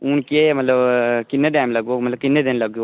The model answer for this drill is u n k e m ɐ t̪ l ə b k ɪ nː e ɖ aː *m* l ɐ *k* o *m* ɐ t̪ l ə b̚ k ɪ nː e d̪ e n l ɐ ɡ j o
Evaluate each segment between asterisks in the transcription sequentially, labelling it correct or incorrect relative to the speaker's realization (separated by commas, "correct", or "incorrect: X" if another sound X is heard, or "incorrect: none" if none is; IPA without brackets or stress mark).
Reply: correct, incorrect: ɡ, correct